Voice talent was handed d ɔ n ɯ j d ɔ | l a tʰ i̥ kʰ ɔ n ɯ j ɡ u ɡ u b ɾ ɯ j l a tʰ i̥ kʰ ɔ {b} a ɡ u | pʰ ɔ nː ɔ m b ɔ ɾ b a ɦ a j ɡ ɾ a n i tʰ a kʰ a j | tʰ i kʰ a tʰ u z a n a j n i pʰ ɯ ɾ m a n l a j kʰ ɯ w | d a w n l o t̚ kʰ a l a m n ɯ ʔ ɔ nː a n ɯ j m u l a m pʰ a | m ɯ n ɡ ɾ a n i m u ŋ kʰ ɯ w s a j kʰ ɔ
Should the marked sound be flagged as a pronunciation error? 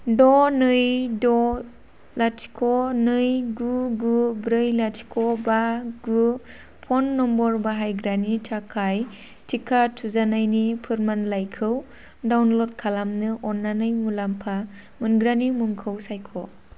no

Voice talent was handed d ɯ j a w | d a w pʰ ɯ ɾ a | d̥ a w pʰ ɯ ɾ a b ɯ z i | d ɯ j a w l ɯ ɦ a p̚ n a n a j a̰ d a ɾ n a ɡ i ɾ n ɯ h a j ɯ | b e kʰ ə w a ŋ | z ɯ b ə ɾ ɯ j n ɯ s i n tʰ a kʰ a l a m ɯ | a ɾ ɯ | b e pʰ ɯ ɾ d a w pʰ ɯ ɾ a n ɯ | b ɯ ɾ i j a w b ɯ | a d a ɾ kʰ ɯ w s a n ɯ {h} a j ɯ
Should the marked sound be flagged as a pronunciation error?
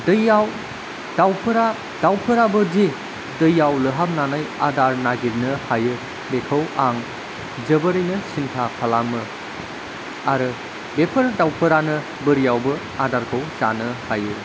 no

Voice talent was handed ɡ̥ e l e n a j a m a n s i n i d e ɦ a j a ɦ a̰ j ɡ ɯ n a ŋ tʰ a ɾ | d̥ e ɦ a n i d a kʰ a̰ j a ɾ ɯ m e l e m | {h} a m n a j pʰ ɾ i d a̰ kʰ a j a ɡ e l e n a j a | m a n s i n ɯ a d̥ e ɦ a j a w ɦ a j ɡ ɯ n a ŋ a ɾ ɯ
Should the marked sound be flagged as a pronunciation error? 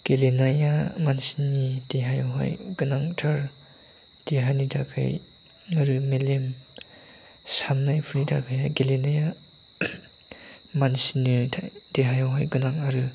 yes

